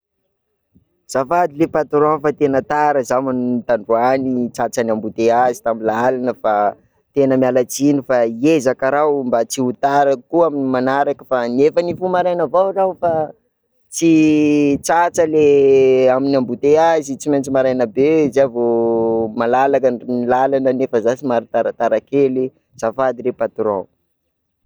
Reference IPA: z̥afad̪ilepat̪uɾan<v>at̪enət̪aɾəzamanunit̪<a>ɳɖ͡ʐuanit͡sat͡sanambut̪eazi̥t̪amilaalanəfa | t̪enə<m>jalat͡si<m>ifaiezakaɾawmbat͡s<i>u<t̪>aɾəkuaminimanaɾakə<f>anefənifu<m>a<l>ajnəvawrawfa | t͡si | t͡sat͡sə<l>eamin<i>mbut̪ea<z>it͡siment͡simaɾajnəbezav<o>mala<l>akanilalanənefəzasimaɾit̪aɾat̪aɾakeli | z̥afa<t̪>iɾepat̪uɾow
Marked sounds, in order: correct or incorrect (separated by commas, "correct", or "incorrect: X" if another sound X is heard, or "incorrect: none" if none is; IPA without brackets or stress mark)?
incorrect: f, correct, correct, incorrect: n, correct, correct, correct, correct, incorrect: ɾ, correct, incorrect: a, correct, correct, correct, incorrect: d̪